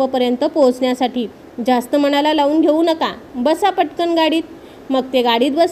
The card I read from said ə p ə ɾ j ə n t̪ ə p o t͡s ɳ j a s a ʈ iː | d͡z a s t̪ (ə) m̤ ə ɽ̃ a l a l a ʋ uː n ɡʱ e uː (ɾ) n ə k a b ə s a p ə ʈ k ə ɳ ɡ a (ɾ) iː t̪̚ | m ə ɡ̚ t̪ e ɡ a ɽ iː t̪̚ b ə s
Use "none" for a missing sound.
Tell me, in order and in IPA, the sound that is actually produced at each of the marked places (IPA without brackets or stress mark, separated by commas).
ə, none, ɽ